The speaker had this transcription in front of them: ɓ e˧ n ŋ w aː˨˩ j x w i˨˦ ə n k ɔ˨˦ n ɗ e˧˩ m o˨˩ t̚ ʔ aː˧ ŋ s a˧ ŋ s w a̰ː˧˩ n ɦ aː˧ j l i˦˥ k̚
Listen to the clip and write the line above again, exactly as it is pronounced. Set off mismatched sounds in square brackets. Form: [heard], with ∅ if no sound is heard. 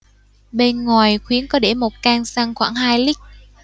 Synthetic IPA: ɓ e˧ n ŋ w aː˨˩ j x w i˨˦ ə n k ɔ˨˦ [∅] ɗ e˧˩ m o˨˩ t̚ [k] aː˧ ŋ s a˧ ŋ [x] w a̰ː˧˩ [ŋ] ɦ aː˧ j l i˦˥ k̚